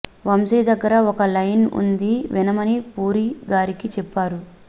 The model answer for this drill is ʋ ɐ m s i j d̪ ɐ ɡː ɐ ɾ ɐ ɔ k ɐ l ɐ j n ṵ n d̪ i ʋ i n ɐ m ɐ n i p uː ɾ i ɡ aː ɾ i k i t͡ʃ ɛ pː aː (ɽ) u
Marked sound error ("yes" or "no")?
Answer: yes